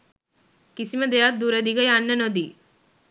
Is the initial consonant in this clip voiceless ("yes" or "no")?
yes